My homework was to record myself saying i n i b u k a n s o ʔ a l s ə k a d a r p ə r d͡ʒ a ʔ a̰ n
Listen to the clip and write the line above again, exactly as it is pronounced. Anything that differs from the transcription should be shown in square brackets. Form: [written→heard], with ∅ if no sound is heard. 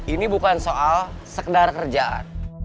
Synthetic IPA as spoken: i n i b u k a n s o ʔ a l s ə k [a→ə] d a r [p→k] ə r d͡ʒ a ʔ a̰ n

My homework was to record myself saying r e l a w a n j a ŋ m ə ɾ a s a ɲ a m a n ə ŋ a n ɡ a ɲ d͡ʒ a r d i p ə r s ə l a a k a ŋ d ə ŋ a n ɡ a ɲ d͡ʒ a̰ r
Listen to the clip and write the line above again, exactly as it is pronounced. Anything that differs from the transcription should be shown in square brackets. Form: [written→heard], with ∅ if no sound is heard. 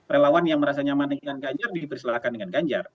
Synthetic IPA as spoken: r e l a w a n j a ŋ m ə ɾ a s a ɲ a m a n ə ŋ a n ɡ a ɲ d͡ʒ a r d i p ə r s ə l a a k a [ŋ→n] d ə ŋ a n ɡ a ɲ d͡ʒ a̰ r

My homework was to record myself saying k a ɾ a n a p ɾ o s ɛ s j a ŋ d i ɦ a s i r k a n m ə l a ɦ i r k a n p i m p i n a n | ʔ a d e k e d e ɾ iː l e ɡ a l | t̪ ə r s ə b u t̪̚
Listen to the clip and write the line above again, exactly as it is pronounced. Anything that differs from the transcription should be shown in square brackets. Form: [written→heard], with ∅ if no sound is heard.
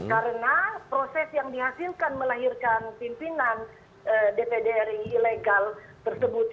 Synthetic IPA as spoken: k a ɾ [a→ə] n a p ɾ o s ɛ s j a ŋ d i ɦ a s i [r→l] k a n m ə l a ɦ i r k a n p i m p i n a n | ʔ [a→ə] d e [k→p] e d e ɾ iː l e ɡ a l | t̪ ə r s ə b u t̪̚

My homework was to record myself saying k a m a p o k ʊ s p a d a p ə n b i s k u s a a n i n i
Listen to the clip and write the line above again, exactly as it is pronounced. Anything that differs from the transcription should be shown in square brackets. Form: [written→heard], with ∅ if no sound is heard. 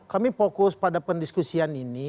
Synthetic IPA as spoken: k a m [a→i] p o k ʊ s p a d a p ə n [b→d] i s k u s [a→i] a n i n i

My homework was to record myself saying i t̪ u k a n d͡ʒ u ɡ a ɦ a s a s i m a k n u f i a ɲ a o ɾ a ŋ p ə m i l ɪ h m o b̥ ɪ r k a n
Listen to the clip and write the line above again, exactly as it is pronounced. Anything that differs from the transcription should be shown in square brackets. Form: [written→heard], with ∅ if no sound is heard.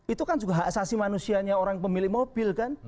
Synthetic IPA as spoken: i t̪ u k a n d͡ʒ u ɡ a ɦ a s a s i m a [k→∅] n u [f→s] i a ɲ a o ɾ a ŋ p ə m i l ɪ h m o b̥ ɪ [r→l] k a n

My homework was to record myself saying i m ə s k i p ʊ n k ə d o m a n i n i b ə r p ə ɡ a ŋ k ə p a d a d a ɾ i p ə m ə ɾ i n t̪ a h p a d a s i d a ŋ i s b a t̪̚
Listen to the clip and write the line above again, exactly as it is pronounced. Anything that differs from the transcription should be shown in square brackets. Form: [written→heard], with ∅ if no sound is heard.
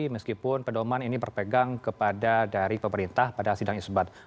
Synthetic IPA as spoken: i m ə s k i p ʊ n [k→p] ə d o m a n i n i b ə r p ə ɡ a ŋ k ə p a d a d a ɾ i p ə m ə ɾ i n t̪ a h p a d a s i d a ŋ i s b a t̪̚

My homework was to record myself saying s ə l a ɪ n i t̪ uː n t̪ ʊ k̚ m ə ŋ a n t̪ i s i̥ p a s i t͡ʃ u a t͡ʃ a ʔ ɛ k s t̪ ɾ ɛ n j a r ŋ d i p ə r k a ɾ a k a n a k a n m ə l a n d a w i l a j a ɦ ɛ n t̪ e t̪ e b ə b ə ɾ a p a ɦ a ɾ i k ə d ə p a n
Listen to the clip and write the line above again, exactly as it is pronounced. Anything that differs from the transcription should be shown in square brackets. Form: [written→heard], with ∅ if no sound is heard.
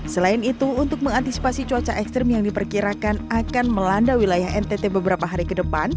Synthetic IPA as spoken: s ə l a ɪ n i t̪ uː n t̪ ʊ k̚ m ə ŋ a n t̪ i s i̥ p a s i t͡ʃ u a t͡ʃ a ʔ ɛ k s t̪ ɾ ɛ [n→m] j a [r→∅] ŋ d i p ə r k [a→i] ɾ a k a n a k a n m ə l a n d a w i l a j a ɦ ɛ n t̪ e t̪ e b ə b ə ɾ a p a ɦ a ɾ i k ə d ə p a n

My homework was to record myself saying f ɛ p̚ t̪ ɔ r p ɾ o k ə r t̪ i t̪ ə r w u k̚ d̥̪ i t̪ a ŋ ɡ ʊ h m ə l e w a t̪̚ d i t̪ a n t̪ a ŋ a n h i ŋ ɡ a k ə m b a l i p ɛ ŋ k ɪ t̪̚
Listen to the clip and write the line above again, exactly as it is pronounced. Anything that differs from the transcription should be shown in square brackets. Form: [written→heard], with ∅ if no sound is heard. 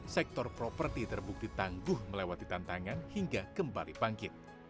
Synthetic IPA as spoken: [f→s] ɛ [p̚→k̚] t̪ ɔ r p ɾ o [k→p] ə r t̪ i t̪ ə r [w→b] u k̚ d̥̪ i t̪ a ŋ ɡ ʊ h m ə l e w a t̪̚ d i t̪ a n t̪ a ŋ a n h i ŋ ɡ a k ə m b a l i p [ɛ→a] ŋ k ɪ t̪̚

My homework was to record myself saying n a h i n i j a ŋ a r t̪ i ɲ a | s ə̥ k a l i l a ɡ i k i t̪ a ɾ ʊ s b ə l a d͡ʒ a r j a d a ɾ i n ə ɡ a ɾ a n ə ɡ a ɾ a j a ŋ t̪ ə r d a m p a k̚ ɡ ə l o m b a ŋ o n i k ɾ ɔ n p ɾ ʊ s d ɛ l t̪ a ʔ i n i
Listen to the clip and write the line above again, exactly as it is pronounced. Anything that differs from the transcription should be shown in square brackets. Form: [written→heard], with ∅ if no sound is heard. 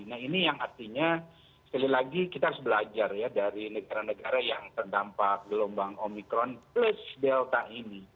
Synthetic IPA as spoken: n a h i n i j a ŋ a r t̪ i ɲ a | s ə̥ k a l i l a ɡ i k i t̪ a ɾ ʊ s b ə l a d͡ʒ a r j a d a ɾ i n ə ɡ a ɾ a n ə ɡ a ɾ a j a ŋ t̪ ə r d a m p a k̚ ɡ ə l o m b a ŋ o [n→m] i k ɾ ɔ n p [ɾ→l] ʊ s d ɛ l t̪ a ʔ i n i

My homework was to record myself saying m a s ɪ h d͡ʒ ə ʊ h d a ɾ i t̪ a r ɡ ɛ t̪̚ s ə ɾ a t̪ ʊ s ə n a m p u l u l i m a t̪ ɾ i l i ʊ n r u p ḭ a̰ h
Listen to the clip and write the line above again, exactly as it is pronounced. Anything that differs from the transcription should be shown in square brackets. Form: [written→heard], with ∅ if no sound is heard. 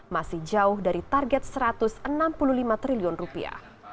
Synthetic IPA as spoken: m a s ɪ h d͡ʒ [ə→a] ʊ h d a ɾ i t̪ a r ɡ ɛ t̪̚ s ə ɾ a t̪ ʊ s ə n a m p u l u l i m a t̪ ɾ i l i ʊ n r u p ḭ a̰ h

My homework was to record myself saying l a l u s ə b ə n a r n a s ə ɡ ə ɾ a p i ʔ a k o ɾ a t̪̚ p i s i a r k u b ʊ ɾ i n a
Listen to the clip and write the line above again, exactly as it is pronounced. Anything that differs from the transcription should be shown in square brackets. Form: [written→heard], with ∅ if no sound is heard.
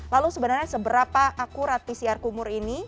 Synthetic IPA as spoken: l a l u s ə b ə n a r [n→ɲ] a s ə [ɡ→b] ə ɾ a p [i→a] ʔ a k [o→u] ɾ a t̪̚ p i s i a r k u [b→m] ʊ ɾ i n [a→i]

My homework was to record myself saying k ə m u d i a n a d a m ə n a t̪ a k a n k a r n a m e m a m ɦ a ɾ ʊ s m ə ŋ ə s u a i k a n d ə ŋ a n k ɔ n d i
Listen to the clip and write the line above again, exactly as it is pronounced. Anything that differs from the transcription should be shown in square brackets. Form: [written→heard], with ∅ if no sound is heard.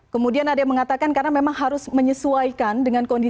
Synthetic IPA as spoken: k ə m u d i a n a d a m ə [n→ŋ] a t̪ a k a n k a r n a m e m a [m→ŋ] ɦ a ɾ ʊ s m ə [ŋ→ɲ] ə s u a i k a n d ə ŋ a n k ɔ n d i

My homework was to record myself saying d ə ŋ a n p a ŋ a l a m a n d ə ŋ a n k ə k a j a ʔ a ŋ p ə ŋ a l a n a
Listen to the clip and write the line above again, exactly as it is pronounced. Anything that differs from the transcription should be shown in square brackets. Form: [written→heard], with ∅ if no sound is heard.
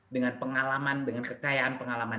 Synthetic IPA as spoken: d ə ŋ a n p [a→ə] ŋ a l a m a n d ə ŋ a n k ə k a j a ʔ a [ŋ→n] p ə ŋ a l a [n→m] a

